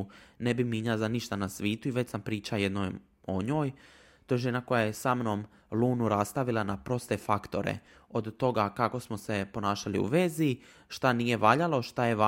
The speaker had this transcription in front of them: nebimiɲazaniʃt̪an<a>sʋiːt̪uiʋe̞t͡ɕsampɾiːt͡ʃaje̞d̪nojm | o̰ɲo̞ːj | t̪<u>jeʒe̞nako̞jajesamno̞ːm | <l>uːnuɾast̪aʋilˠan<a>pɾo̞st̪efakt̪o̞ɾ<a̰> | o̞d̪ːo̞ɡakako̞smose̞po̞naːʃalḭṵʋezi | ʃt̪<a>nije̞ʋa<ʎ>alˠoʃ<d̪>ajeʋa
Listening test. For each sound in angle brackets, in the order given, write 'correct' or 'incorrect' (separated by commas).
correct, incorrect, correct, correct, incorrect, correct, correct, incorrect